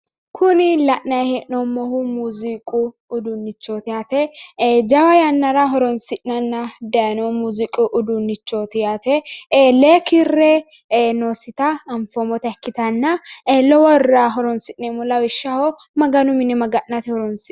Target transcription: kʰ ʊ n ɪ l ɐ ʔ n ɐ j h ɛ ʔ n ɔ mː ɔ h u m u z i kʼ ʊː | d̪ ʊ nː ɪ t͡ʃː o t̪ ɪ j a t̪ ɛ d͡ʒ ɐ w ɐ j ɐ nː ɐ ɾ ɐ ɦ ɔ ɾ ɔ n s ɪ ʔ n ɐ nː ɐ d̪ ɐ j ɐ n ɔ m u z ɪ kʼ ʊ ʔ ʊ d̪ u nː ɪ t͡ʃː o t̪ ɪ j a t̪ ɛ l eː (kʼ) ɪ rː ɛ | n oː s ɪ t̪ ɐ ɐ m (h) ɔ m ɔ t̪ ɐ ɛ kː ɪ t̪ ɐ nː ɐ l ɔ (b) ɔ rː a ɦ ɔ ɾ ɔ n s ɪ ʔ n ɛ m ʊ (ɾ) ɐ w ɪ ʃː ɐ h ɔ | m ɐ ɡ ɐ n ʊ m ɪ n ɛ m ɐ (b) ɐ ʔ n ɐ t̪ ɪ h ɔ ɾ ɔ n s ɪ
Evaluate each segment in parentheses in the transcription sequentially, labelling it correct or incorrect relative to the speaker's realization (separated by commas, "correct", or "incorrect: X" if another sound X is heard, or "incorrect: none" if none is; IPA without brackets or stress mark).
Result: incorrect: k, incorrect: f, incorrect: w, incorrect: l, incorrect: ɡ